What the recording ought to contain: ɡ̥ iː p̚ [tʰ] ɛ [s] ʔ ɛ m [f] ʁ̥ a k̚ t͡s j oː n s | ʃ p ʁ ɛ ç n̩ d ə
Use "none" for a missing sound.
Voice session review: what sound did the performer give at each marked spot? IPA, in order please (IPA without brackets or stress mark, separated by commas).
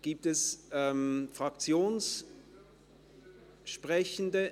t, s, f